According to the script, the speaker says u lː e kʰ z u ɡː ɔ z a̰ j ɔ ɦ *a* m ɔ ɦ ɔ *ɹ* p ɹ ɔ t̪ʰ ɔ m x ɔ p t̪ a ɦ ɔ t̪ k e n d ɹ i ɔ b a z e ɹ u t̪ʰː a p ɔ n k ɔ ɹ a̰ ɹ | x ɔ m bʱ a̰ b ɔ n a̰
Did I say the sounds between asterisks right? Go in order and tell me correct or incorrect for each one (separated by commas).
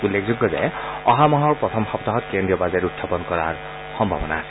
correct, correct